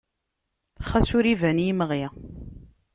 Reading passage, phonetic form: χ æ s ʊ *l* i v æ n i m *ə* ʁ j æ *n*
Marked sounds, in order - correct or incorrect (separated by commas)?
incorrect, correct, incorrect